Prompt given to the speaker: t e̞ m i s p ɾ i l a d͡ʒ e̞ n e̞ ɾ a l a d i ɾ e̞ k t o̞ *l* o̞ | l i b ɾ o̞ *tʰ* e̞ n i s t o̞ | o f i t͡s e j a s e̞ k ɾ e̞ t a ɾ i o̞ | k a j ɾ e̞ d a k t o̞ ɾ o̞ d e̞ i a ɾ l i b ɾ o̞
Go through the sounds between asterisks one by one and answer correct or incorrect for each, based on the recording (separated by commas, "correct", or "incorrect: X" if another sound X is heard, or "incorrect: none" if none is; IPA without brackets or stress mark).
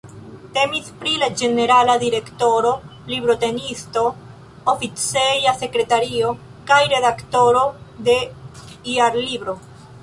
incorrect: ɾ, incorrect: t